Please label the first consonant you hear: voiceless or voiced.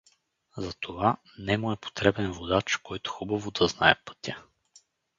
voiced